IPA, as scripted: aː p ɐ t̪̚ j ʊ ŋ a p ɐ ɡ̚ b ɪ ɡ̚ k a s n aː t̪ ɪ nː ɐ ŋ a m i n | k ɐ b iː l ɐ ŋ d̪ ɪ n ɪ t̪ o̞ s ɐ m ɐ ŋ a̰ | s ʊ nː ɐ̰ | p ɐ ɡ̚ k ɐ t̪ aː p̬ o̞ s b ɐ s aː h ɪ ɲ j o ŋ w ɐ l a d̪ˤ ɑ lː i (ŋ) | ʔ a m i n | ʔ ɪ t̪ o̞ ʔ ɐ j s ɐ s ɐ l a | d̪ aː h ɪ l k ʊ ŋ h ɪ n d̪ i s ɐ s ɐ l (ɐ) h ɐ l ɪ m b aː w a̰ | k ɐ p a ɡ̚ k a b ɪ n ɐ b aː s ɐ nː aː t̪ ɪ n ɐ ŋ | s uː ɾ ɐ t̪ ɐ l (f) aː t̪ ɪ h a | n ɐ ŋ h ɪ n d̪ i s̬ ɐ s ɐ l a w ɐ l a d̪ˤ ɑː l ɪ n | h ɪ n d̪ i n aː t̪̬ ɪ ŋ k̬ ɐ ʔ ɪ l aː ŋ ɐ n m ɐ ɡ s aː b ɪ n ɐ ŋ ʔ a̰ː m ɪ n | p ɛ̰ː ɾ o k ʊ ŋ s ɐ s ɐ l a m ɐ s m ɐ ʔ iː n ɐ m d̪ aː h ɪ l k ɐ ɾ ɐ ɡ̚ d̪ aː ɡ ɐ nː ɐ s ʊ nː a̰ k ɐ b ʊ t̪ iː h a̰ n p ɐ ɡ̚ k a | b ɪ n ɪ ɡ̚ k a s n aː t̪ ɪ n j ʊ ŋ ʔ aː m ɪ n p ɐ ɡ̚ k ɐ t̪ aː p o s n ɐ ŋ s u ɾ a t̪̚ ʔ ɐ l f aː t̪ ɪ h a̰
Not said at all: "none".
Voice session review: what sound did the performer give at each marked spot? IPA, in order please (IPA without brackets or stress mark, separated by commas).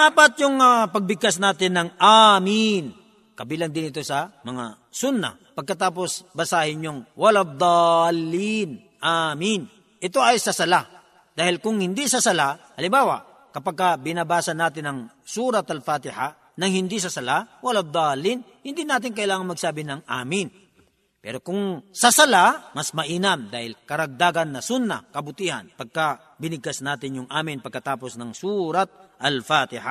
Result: n, a, f